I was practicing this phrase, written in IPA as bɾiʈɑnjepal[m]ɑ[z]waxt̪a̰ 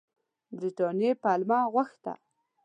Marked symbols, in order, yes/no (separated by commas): yes, no